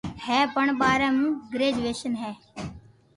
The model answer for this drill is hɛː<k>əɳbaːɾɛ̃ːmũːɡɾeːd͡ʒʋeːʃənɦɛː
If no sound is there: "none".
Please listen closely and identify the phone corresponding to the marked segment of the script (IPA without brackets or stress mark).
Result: p